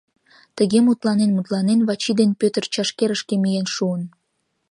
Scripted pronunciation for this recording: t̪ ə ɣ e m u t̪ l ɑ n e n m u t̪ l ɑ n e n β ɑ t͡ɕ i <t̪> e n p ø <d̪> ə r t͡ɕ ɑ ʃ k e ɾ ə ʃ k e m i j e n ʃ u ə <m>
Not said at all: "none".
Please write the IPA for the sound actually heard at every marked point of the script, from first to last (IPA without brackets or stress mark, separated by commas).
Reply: d̪, t̪, n